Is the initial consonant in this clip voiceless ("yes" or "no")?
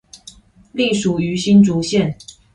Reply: no